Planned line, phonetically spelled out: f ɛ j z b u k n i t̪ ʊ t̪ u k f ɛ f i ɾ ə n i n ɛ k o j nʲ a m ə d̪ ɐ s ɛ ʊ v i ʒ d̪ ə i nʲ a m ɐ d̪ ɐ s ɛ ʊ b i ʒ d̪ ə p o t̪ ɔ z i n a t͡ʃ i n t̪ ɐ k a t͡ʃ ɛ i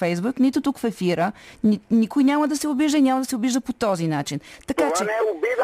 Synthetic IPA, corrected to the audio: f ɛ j z b u k n i t̪ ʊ t̪ u k f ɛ f i ɾ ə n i n i k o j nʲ a m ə d̪ ɐ s ɛ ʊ b i ʒ d̪ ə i nʲ a m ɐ d̪ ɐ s ɛ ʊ b i ʒ d̪ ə p o t̪ ɔ z i n a t͡ʃ i n t̪ ɐ k a t͡ʃ ɛ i